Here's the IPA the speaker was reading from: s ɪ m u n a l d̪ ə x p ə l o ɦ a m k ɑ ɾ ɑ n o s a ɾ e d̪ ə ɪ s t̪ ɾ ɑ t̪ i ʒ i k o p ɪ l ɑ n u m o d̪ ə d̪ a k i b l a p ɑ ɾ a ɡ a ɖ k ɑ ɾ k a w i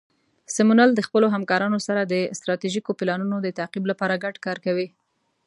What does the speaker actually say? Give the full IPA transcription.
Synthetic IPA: s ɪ m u n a l d̪ ə x p ə l o ɦ a m k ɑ ɾ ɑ n o s a ɾ a d̪ ə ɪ s t̪ ɾ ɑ t̪ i ʒ i k o p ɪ l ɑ n u n o d̪ ə t̪ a q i b l a p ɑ ɾ a ɡ a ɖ k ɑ ɾ k a w i

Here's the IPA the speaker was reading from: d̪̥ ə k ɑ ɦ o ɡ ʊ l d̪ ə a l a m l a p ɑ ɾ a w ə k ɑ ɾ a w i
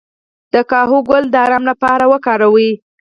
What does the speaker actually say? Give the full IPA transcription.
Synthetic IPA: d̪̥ ə k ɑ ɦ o ɡ ʊ l d̪ ə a ɾ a m l a p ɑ ɾ a w ə k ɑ ɾ a w i

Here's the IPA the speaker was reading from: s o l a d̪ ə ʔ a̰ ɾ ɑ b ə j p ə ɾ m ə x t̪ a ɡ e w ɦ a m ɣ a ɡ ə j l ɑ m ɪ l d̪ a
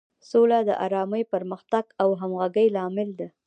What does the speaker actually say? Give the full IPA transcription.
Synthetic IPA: s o l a d̪ ə ʔ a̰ ɾ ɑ m ə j p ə ɾ m ə x t̪ a ɡ a w ɦ a m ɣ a ɡ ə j l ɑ m ɪ l d̪ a

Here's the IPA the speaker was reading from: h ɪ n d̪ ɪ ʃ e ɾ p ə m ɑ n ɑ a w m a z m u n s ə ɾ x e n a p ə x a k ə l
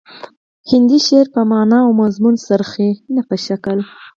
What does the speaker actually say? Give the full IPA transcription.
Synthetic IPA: h ɪ n d̪ i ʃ e ɾ p ə m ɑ n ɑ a w m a z m u n s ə ɾ x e n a p ə ʃ a k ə l

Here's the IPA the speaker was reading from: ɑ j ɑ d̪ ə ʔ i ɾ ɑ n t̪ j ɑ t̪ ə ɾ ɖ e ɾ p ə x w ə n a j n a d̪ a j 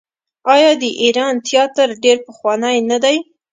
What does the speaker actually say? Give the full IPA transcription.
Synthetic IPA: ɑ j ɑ d̪ ə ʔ i ɾ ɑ n t̪ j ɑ t̪ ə ɾ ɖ e ɾ p ə x w ɑ n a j n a d̪ a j

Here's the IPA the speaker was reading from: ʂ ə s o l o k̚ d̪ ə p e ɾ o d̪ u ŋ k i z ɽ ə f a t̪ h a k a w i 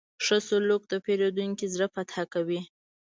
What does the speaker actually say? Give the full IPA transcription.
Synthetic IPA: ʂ ə s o l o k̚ d̪ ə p e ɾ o d̪ u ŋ k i z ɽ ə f a t̪ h a k a w i

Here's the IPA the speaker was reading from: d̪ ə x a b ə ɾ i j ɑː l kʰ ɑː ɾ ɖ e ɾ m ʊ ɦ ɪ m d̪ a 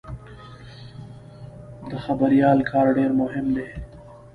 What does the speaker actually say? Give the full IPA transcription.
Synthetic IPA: d̪ ə x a b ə ɾ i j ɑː l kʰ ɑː ɾ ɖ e ɾ m ʊ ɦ ɪ m d̪ e

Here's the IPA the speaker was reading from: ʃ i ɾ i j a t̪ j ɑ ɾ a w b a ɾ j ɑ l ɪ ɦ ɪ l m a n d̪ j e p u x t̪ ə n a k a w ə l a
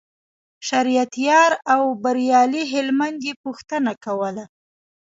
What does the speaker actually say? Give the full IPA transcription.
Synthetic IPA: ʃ a ɾ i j a t̪ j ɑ ɾ a w b a ɾ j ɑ l i ɦ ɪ l m a n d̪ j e p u x t̪ ə n a k a w ə l a

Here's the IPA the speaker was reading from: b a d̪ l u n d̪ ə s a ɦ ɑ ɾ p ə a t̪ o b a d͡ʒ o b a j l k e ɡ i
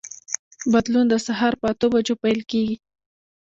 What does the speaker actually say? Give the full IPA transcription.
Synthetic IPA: b a d̪ l u n d̪ ə s a ɦ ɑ ɾ p ə a t̪ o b a d͡ʒ o p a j l k e ɡ i

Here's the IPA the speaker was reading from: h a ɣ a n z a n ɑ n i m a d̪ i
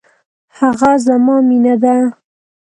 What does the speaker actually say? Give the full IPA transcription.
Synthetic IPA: h a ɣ a z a m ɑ m i n a d̪ a

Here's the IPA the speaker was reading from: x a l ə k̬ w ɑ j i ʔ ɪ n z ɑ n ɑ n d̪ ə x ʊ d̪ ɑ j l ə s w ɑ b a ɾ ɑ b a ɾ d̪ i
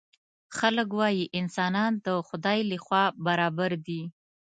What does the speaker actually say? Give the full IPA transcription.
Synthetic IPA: x a l ə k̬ w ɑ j i ʔ ɪ n s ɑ n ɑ n d̪ ə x ʊ d̪ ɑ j l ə x w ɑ b a ɾ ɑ b a ɾ d̪ i

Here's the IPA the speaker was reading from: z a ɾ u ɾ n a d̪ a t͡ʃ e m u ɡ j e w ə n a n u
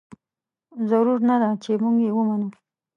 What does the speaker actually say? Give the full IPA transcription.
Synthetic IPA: z a ɾ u ɾ n a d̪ a t͡ʃ e m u ɡ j e w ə m a n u

